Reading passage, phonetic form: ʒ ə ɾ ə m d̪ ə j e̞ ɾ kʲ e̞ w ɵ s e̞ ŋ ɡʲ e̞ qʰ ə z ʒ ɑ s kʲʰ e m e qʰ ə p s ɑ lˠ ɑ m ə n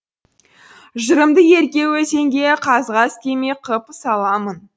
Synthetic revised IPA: ʒ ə ɾ ə m d̪ ə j e̞ ɾ kʲ e̞ w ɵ s e̞ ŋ ɡʲ e̞ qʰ ɑ z ʁ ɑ s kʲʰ e m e qʰ ə p s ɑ lˠ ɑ m ə n